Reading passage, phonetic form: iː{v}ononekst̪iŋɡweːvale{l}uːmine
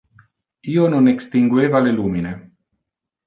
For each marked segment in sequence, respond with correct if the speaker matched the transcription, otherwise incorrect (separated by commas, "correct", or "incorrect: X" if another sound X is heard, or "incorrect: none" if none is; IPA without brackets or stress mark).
incorrect: none, correct